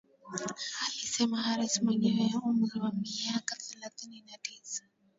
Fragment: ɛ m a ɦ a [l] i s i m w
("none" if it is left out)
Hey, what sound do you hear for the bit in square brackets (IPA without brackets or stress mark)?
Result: ɾ